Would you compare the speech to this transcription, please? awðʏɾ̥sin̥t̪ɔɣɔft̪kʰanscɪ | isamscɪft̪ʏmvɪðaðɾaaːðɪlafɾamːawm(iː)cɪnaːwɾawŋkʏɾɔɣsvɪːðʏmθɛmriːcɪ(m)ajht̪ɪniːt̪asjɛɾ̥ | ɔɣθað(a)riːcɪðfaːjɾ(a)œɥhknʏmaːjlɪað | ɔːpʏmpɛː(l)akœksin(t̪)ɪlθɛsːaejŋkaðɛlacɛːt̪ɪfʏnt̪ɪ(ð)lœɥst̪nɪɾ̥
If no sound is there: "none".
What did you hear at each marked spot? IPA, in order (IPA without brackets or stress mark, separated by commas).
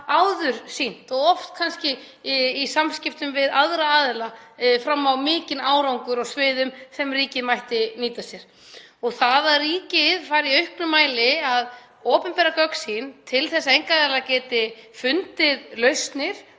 ɪː, m, a, i, ɾ, t̪ʰ, ð